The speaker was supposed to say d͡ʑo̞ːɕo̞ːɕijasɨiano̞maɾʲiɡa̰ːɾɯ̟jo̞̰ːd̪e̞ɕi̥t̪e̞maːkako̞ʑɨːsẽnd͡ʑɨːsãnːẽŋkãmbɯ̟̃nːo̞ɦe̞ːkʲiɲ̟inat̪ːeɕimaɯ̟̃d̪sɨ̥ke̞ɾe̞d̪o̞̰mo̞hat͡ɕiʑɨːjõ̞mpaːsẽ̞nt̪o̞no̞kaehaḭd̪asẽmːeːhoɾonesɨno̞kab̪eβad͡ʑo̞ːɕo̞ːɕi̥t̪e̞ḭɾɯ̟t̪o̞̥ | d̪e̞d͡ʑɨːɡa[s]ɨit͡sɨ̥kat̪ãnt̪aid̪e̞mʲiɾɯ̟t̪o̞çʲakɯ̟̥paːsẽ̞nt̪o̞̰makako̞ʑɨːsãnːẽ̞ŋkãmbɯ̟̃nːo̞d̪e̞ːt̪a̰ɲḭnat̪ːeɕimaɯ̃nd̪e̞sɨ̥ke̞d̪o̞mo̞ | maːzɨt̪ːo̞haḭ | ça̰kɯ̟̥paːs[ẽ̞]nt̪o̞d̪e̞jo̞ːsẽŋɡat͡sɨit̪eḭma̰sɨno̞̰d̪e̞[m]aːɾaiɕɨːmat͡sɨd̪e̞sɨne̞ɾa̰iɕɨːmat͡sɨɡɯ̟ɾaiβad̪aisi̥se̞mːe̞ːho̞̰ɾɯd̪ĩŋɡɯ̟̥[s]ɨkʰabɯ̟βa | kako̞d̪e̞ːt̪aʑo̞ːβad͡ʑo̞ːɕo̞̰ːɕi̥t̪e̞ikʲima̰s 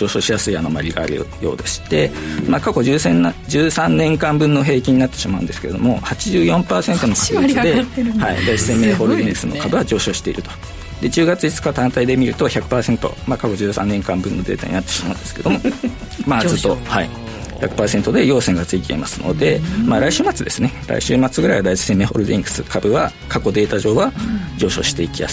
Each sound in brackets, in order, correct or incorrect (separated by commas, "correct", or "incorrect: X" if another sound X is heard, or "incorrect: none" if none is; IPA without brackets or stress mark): incorrect: t͡s, incorrect: e̞, correct, correct